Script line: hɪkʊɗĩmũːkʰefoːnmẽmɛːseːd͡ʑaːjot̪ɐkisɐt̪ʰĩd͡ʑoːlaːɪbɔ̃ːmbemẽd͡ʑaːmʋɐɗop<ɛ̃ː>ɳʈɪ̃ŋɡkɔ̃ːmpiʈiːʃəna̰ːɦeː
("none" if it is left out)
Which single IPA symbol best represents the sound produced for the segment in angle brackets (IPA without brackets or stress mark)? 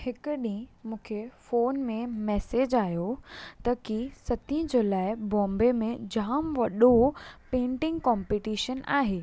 ẽː